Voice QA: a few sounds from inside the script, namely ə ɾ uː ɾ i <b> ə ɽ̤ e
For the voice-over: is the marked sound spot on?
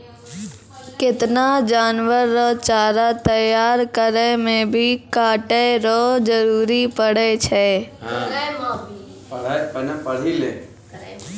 no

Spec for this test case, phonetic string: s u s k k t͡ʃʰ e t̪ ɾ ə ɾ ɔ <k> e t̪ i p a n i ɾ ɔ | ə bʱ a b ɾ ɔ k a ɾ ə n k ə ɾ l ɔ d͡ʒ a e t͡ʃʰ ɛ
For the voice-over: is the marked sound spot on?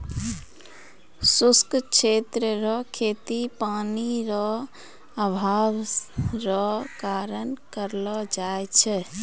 no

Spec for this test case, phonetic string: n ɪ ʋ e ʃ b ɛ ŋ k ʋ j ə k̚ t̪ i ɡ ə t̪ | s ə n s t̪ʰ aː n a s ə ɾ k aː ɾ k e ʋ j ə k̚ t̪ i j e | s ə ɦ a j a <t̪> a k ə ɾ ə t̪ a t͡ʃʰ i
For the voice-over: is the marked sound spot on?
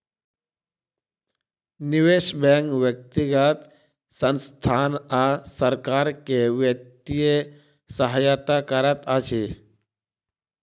yes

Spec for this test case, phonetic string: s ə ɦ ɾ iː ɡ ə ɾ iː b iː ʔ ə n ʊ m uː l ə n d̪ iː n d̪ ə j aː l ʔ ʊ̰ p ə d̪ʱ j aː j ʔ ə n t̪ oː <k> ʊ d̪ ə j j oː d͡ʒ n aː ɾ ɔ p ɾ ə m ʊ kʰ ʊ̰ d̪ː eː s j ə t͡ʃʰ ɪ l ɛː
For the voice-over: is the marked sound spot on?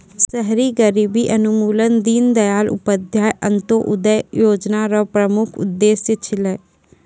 no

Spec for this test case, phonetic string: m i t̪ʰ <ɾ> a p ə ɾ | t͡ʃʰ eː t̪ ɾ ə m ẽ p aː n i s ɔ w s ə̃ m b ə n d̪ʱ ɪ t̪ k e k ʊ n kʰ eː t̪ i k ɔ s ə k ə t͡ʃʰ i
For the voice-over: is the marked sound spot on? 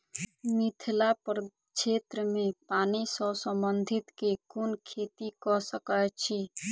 no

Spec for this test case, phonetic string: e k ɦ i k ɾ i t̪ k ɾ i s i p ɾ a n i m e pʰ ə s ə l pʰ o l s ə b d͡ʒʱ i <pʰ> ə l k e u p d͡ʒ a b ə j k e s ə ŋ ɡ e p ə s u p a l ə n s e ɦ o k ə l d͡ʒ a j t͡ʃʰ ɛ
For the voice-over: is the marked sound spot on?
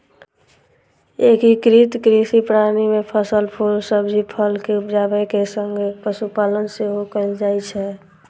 yes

